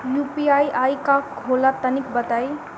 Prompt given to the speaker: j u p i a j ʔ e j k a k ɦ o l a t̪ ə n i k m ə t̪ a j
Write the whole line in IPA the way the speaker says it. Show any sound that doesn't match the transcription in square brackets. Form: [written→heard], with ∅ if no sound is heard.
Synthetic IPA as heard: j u p i a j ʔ [e→a] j k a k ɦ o l a t̪ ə n i k [m→b] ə t̪ a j